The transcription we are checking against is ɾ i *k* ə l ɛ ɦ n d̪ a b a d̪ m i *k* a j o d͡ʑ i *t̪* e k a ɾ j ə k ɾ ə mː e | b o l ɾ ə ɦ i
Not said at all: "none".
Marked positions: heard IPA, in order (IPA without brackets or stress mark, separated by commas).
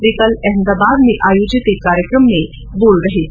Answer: k, ʔ, t̪